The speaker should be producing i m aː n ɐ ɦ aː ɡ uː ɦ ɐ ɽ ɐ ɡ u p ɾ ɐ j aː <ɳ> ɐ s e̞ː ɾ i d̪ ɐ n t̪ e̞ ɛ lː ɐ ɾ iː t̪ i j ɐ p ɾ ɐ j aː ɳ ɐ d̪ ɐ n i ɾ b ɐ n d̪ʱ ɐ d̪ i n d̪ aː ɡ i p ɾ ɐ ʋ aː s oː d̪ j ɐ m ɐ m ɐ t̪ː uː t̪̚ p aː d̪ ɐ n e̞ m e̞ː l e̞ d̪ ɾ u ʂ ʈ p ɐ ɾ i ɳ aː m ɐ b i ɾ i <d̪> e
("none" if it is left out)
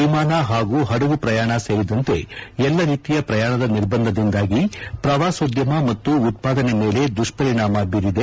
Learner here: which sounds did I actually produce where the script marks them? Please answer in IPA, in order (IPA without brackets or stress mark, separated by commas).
ɳ, d̪